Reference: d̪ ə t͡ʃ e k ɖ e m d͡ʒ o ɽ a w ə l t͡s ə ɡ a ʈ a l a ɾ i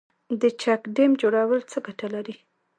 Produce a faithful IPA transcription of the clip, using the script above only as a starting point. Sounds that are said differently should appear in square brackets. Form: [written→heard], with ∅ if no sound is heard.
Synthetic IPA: d̪ ə t͡ʃ [e→a] k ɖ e m d͡ʒ o ɽ a w ə l t͡s ə ɡ a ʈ a l a ɾ i